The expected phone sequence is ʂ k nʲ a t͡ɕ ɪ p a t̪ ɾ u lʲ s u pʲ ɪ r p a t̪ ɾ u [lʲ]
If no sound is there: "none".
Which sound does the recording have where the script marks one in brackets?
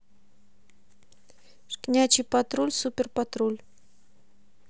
lʲ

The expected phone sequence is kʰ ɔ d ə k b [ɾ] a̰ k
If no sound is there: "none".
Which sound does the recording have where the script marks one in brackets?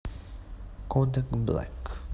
l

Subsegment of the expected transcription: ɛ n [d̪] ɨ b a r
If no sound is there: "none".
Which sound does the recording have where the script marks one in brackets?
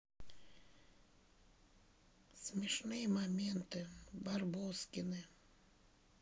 t̪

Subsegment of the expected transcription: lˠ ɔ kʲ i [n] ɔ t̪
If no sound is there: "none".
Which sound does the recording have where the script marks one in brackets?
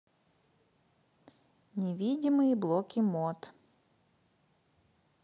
m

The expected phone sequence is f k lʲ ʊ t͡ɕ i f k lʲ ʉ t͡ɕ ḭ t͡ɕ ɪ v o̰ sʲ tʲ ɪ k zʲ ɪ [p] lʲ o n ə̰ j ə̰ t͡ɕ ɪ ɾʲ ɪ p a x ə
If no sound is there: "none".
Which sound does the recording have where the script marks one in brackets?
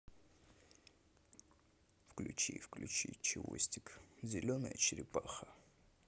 none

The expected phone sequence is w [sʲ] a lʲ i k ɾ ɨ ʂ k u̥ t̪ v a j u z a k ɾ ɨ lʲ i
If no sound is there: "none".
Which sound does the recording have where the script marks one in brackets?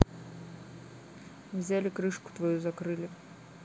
zʲ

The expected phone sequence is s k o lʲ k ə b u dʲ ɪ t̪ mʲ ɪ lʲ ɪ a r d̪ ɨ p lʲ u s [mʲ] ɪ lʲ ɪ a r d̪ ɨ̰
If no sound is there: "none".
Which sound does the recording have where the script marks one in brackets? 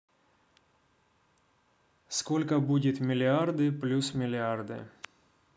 mʲ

